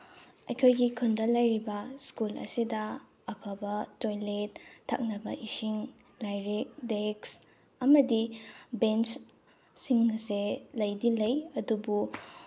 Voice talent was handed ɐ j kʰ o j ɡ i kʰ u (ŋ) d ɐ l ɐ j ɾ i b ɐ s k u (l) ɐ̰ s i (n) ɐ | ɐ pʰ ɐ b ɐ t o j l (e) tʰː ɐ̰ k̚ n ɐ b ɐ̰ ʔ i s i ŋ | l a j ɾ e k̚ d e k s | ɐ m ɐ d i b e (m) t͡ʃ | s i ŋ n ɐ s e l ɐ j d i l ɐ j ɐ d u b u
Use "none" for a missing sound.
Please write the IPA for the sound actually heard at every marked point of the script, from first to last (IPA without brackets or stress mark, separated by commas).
n, l, d, e, n